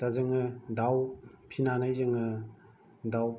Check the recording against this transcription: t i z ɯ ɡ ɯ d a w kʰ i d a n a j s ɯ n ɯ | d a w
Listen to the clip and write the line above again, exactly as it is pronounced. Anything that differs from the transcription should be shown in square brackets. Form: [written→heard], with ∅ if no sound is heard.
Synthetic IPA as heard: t [i→a] z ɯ [ɡ→ŋ] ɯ d a w [kʰ→pʰ] i [d→n] a n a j [s→z] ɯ [n→ŋ] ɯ | d a w